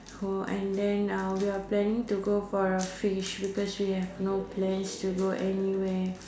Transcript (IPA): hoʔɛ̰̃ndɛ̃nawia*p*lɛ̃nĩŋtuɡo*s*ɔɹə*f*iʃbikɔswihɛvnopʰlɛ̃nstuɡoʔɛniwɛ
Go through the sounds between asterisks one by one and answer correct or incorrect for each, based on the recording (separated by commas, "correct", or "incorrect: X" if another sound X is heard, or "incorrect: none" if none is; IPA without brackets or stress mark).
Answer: correct, incorrect: f, correct